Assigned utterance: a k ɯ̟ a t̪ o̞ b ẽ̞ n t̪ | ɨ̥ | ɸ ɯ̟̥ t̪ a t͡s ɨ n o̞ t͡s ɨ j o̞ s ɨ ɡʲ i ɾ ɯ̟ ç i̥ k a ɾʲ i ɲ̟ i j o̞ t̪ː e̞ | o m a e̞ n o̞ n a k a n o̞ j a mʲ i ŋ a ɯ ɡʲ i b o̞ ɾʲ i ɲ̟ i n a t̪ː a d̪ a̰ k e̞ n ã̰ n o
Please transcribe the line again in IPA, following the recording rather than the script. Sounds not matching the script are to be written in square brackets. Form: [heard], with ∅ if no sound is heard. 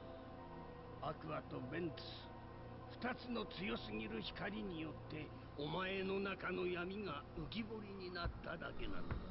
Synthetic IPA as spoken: a k ɯ̟ a t̪ o̞ b ẽ̞ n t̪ | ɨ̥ | ɸ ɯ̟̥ t̪ a t͡s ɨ n o̞ t͡s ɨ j o̞ s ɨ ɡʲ i ɾ ɯ̟ ç i̥ k a ɾʲ i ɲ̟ i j o̞ t̪ː e̞ | o m a e̞ n o̞ n a k a n o̞ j a mʲ i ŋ a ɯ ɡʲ i b o̞ ɾʲ i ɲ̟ i n a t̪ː a d̪ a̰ k e̞ n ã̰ n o